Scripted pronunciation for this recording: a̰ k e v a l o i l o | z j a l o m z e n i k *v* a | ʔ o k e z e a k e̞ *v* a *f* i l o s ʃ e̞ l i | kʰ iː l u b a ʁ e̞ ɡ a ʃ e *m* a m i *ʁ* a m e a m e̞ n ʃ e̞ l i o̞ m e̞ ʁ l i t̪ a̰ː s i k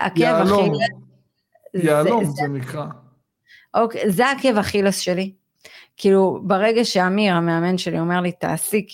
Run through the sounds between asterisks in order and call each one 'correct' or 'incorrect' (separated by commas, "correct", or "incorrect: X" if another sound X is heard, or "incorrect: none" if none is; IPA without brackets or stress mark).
incorrect: ʁ, correct, incorrect: χ, incorrect: none, correct